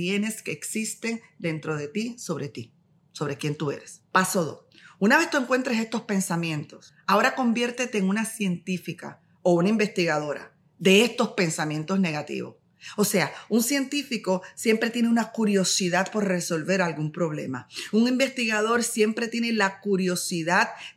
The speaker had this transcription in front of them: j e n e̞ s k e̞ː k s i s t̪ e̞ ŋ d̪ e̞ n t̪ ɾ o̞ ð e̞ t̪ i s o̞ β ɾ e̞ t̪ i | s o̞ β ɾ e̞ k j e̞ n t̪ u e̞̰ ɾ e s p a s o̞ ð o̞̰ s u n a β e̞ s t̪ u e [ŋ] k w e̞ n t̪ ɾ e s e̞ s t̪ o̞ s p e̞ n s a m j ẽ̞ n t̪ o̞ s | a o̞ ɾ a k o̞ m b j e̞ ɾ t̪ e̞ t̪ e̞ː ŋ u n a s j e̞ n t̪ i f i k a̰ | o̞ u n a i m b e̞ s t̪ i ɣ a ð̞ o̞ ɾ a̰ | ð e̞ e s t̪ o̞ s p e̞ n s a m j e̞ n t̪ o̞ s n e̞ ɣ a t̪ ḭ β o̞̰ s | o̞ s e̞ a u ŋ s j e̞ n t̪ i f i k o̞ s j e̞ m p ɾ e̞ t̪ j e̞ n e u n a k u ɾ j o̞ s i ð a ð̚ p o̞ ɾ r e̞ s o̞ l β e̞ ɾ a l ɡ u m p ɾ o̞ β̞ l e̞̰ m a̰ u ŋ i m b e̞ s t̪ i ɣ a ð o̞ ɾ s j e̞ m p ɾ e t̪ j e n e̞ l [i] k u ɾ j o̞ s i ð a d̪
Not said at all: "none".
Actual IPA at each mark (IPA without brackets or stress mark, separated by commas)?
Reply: ŋ, a